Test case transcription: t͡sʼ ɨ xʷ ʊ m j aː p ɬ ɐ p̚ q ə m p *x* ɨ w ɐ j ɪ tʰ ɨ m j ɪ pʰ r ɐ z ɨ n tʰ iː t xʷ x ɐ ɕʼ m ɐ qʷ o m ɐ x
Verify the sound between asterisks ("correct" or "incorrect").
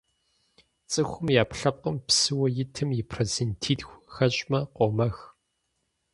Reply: incorrect